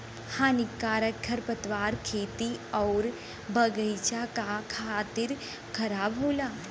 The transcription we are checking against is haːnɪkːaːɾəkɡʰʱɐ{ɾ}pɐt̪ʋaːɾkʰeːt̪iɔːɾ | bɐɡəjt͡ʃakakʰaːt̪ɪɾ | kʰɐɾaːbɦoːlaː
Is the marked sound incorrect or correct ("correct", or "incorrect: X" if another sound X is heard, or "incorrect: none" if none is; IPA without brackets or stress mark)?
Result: correct